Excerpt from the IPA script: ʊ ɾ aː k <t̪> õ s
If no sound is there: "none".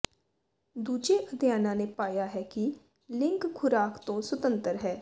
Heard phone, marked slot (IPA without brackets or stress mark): t̪